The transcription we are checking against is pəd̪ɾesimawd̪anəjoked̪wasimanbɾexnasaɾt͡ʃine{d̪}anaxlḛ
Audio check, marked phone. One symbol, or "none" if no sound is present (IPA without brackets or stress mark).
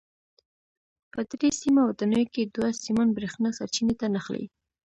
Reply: t̪